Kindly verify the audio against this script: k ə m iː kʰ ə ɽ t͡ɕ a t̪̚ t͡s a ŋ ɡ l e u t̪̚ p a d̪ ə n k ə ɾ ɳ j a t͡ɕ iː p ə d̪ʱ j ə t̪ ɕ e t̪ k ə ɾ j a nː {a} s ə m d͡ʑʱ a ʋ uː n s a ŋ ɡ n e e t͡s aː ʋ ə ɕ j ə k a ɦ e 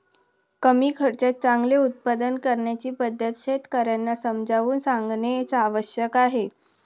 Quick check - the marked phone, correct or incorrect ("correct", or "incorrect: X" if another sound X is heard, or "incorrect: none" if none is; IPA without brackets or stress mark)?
correct